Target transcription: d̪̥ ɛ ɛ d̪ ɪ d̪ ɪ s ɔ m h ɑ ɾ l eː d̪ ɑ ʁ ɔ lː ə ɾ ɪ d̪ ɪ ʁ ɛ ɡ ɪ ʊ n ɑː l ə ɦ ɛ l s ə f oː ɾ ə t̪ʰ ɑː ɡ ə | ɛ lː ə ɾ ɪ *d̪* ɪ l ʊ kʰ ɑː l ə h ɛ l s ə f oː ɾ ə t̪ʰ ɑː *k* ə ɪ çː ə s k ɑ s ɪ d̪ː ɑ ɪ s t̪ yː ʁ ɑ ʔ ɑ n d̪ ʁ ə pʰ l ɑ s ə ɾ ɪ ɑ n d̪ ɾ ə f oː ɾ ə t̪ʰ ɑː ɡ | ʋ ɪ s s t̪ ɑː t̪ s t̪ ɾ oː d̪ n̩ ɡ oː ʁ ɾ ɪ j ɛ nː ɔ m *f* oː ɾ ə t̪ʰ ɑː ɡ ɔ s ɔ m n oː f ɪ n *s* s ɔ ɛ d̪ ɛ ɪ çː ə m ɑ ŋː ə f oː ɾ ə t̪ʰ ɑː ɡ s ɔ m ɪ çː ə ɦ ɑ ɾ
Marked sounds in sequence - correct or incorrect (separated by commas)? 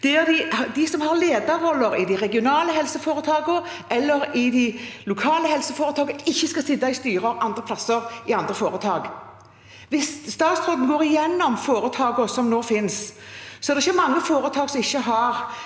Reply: correct, incorrect, correct, correct